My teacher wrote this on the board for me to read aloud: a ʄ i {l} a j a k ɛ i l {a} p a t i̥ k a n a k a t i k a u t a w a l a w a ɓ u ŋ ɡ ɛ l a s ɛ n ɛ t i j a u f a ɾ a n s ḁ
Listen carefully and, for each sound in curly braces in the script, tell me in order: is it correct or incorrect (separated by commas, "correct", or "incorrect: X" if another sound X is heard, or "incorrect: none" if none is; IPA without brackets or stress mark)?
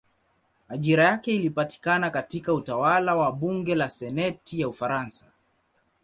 incorrect: ɾ, incorrect: i